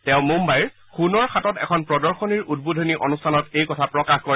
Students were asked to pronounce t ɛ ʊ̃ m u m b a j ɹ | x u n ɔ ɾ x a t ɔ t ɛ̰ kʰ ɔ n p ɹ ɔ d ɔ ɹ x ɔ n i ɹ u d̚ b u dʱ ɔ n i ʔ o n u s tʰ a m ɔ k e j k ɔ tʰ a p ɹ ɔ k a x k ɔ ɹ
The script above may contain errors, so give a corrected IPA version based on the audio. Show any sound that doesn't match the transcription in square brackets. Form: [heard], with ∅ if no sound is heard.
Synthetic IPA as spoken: t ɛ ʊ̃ m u m b a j ɹ | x u n ɔ [ɹ] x a t ɔ t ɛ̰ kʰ ɔ n p ɹ ɔ d ɔ ɹ x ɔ n i ɹ u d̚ b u dʱ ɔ n i ʔ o n u s tʰ a [n] ɔ [t] e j k ɔ tʰ a p ɹ ɔ k a x k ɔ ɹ